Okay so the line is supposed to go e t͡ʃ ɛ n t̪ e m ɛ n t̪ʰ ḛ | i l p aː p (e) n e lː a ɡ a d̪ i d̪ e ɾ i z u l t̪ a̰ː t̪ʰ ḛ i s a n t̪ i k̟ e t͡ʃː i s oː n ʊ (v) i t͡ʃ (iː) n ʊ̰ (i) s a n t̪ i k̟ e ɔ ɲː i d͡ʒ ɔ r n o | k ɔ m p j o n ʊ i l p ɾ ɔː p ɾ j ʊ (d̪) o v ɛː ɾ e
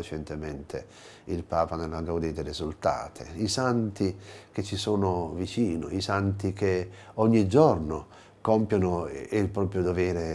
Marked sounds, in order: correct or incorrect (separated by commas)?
incorrect, correct, correct, correct, correct